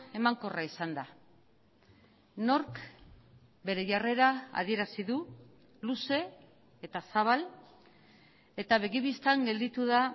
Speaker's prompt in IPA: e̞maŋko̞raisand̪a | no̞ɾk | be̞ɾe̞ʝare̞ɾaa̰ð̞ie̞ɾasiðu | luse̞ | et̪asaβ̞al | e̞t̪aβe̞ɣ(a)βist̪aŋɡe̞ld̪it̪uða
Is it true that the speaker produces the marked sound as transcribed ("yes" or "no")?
no